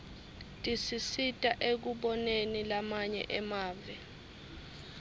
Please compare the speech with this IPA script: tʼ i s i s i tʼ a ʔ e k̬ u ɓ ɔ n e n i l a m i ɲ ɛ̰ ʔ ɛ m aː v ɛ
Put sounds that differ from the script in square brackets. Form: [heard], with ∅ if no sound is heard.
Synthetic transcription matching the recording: tʼ i s i s i tʼ a ʔ e k̬ u ɓ ɔ n e n i l a m [a] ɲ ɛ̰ ʔ ɛ m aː v ɛ